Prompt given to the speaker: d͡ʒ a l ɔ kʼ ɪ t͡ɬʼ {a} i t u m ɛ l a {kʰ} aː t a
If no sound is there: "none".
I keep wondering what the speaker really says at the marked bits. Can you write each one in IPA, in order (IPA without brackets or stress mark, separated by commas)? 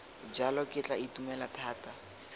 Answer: a, tʰ